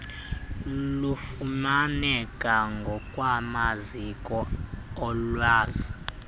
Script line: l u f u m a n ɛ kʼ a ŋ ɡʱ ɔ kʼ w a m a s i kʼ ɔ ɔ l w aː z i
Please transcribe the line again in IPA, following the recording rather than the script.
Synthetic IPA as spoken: l u f u m a n ɛ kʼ a ŋ ɡʱ ɔ kʼ w a m a z i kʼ ɔ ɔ l w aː z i